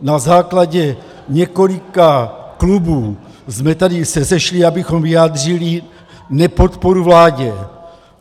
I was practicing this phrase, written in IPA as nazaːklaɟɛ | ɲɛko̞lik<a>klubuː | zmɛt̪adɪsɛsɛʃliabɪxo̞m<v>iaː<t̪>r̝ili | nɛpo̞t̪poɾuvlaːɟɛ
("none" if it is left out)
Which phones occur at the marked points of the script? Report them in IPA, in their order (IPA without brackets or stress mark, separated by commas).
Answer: a, v, d̪